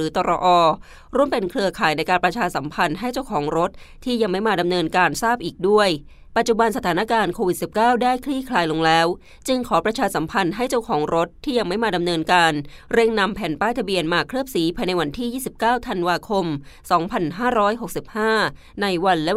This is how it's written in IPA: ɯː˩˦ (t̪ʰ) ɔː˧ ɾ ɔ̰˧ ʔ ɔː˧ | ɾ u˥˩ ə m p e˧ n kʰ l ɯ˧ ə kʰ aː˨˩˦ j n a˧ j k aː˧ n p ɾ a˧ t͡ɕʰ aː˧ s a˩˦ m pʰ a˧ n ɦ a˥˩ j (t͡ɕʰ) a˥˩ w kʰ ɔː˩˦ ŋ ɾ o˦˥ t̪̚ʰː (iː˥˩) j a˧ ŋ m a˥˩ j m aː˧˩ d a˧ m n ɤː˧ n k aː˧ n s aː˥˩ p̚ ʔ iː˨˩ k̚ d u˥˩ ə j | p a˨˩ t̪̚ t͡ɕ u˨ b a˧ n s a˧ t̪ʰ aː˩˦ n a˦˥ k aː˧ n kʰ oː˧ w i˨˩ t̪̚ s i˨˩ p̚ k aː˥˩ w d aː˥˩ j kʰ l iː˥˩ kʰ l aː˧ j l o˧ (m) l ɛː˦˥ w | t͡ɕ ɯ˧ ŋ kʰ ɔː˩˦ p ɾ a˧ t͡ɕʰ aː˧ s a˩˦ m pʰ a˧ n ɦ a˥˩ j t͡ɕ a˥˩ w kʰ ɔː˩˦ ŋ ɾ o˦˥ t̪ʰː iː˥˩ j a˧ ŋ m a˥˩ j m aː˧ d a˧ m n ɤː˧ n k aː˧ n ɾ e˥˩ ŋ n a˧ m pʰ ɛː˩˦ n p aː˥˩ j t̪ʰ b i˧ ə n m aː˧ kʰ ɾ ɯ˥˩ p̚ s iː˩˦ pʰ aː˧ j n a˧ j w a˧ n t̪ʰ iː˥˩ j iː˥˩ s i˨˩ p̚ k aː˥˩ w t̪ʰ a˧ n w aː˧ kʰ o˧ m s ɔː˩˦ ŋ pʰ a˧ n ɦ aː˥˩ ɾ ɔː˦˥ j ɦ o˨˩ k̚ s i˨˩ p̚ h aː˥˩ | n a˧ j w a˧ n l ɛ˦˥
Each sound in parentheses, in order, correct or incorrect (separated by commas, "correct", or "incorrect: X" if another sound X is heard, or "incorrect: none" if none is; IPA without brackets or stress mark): incorrect: t̪, incorrect: t͡ɕ, correct, incorrect: ŋ